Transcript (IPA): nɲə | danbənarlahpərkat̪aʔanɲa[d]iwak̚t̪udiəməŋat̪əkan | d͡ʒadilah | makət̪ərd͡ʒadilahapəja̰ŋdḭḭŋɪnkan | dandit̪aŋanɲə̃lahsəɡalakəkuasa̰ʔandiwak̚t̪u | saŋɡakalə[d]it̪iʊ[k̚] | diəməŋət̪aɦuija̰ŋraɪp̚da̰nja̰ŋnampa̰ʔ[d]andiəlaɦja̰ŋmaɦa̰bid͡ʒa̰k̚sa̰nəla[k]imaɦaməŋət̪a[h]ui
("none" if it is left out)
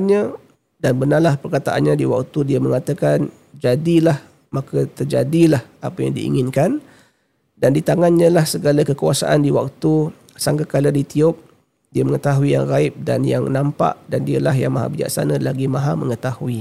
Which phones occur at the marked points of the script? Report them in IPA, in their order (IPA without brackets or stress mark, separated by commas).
d, d, p̚, d, ɡ, h